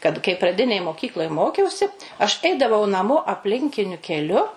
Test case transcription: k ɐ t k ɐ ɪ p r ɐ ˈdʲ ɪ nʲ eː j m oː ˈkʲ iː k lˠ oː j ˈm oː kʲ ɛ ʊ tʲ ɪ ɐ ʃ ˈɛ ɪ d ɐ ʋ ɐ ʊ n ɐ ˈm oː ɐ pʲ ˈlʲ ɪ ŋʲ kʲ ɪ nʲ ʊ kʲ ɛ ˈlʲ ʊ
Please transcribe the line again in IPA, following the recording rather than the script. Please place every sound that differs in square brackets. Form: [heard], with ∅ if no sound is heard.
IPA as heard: k ɐ t k ɐ ɪ p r ɐ ˈdʲ ɪ nʲ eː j m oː ˈkʲ iː k lˠ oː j ˈm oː kʲ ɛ ʊ [sʲ] ɪ ɐ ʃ ˈɛ ɪ d ɐ ʋ ɐ ʊ n ɐ ˈm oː ɐ pʲ ˈlʲ ɪ ŋʲ kʲ ɪ nʲ ʊ kʲ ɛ ˈlʲ ʊ